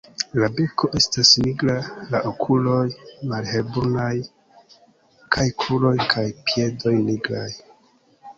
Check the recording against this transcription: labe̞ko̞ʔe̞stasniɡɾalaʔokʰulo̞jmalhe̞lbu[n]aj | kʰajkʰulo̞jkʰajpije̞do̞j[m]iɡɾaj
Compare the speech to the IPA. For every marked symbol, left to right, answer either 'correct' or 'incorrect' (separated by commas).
correct, incorrect